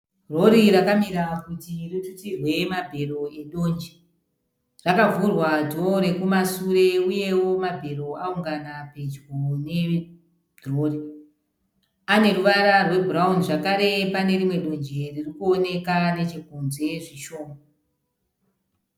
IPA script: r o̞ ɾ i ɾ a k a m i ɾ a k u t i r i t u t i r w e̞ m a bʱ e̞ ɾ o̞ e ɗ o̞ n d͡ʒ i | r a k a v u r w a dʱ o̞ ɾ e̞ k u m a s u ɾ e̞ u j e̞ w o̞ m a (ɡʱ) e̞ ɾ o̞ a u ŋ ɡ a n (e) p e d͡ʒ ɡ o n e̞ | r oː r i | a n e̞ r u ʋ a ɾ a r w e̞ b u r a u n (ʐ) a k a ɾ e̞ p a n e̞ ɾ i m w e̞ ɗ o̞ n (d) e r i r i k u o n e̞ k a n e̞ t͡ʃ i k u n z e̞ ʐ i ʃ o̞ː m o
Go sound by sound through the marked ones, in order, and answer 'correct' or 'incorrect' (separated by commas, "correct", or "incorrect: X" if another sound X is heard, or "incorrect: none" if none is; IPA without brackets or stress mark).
incorrect: bʱ, incorrect: a, correct, incorrect: d͡ʒ